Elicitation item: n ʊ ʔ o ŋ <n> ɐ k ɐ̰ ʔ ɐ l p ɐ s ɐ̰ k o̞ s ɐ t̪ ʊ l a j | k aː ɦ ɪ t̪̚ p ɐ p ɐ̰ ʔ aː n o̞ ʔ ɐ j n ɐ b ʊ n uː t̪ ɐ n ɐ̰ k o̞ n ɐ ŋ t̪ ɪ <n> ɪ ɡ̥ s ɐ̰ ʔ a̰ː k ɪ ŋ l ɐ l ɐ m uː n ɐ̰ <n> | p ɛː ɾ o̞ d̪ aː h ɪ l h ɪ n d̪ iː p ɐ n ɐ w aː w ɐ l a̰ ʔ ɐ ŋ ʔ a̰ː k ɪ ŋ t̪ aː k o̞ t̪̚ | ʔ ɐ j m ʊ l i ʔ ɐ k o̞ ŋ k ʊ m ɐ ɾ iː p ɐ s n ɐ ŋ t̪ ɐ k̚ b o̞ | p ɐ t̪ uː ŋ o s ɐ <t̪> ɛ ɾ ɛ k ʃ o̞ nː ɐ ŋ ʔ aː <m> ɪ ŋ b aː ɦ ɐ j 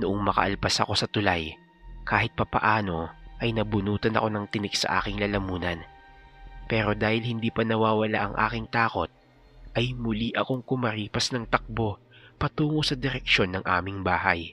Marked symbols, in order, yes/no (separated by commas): no, yes, yes, no, yes